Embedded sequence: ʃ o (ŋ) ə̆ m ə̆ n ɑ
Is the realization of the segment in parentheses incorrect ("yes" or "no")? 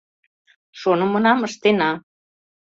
yes